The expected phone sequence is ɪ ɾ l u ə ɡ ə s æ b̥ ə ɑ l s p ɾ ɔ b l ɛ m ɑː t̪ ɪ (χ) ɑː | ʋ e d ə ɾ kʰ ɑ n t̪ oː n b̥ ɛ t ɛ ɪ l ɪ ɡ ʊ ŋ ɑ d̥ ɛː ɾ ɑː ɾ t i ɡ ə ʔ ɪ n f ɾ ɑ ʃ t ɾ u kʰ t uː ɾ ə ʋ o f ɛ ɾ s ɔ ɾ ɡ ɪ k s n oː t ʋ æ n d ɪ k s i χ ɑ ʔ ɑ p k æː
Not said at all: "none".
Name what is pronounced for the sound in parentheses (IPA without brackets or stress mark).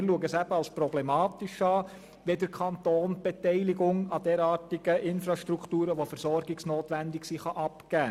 ʃ